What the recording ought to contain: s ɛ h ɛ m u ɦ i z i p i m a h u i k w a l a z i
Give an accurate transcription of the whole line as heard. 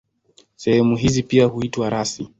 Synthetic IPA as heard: s ɛ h ɛ m u ɦ i z i p i a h u i t w a ɾ a s i